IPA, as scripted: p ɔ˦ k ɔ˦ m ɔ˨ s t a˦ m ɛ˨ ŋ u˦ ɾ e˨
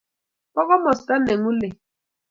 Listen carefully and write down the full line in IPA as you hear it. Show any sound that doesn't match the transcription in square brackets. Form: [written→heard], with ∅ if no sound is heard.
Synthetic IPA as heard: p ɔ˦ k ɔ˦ m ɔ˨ s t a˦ [m→n] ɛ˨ ŋ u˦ [ɾ→l] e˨